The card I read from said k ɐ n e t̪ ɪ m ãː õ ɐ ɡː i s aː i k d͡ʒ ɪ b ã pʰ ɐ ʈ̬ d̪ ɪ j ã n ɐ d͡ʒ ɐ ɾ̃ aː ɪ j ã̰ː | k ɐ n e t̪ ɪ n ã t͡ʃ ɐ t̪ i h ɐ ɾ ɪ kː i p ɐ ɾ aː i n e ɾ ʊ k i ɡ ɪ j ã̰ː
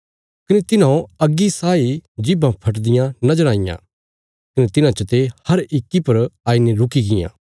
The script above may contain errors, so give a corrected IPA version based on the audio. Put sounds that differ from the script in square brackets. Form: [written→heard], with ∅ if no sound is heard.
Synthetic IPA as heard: k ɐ n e t̪ ɪ [m→n] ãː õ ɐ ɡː i s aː i [k→∅] d͡ʒ ɪ b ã pʰ ɐ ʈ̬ d̪ ɪ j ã n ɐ d͡ʒ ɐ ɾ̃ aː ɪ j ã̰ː | k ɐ n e t̪ ɪ n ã t͡ʃ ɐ t̪ [i→e] h ɐ ɾ ɪ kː i p ɐ ɾ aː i n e ɾ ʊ k i ɡ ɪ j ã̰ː